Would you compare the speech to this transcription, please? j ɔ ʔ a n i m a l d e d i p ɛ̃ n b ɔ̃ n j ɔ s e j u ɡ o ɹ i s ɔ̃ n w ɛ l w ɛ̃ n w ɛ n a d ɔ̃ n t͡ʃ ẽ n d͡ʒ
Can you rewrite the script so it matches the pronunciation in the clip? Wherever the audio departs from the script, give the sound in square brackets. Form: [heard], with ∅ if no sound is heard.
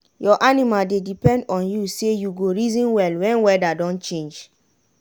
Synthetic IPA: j ɔ ʔ a n i m a l d e d i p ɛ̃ n [d] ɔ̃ n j [u] s e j u ɡ o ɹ i [z] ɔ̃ n w ɛ l w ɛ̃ n w ɛ [d] a d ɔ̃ n t͡ʃ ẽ n d͡ʒ